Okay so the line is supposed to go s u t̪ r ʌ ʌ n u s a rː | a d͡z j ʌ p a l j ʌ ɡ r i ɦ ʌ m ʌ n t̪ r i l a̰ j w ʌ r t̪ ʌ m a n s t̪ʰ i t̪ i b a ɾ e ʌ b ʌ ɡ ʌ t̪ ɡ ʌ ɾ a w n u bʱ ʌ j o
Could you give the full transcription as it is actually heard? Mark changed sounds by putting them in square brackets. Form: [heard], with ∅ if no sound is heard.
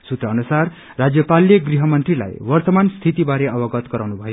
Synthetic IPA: s u t̪ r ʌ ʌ n u s a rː | a d͡z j ʌ p a l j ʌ ɡ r i ɦ ʌ m ʌ n t̪ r i l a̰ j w ʌ r t̪ ʌ m a n s t̪ʰ i t̪ i b a ɾ e ʌ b ʌ ɡ ʌ t̪ ɡ ʌ ɾ a w n u bʱ ʌ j o